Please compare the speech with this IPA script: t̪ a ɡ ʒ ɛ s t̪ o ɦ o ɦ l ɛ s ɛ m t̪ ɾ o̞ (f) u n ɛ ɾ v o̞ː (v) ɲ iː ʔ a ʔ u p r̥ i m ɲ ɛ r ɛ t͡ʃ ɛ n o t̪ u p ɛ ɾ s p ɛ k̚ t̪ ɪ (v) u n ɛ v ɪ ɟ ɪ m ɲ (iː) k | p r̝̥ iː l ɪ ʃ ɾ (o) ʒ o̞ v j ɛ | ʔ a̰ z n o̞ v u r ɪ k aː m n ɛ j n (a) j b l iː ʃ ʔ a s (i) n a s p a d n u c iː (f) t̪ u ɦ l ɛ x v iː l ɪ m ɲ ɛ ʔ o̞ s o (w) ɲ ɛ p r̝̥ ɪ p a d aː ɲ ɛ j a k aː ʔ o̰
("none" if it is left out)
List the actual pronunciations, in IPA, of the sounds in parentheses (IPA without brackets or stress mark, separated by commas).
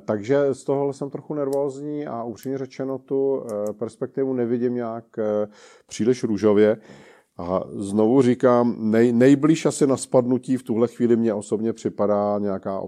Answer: x, z, v, aː, u, ɛ, ɪ, f, b